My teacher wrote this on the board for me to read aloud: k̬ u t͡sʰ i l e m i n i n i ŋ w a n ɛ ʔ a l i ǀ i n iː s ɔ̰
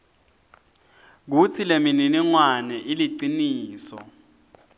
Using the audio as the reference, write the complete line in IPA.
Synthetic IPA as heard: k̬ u t͡sʰ i l e m i n i n i ŋ w a n ɛ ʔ i l i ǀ i n iː s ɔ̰